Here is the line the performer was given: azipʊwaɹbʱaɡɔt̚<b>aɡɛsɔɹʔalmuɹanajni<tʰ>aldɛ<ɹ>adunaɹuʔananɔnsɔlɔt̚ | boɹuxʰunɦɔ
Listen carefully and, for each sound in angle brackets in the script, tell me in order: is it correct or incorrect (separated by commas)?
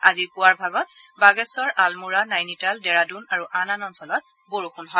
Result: correct, incorrect, correct